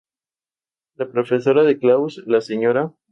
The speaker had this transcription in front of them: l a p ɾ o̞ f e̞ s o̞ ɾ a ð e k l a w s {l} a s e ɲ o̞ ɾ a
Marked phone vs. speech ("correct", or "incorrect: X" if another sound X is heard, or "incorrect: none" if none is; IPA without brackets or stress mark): correct